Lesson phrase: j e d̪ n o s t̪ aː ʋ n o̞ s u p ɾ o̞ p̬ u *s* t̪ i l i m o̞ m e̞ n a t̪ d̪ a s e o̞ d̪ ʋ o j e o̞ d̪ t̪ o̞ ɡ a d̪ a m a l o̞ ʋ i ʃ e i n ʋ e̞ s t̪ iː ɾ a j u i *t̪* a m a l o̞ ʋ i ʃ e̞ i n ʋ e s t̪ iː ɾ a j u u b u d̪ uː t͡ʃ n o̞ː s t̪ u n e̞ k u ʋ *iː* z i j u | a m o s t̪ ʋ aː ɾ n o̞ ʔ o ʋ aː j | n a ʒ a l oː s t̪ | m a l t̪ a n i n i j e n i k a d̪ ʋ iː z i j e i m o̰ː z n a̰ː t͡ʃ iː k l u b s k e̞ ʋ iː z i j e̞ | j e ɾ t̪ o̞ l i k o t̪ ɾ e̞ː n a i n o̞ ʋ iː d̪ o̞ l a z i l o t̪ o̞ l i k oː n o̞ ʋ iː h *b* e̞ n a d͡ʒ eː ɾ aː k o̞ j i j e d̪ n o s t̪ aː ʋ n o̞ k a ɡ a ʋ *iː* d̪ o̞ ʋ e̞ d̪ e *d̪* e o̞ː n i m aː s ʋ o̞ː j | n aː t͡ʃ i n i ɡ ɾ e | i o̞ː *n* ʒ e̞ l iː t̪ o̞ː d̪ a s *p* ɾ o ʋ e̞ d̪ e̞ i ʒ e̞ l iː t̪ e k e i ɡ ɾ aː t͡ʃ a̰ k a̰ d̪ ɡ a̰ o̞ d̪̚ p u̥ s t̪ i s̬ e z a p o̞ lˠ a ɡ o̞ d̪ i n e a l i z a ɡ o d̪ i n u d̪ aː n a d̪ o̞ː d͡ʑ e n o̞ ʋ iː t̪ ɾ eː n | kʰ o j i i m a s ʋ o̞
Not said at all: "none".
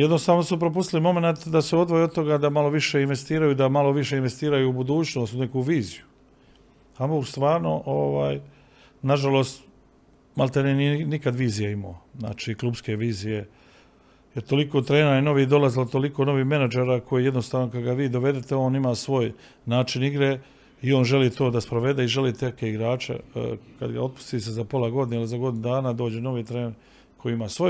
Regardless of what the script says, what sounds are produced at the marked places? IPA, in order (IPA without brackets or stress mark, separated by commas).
s, d̪, iː, m, iː, t̪, n, p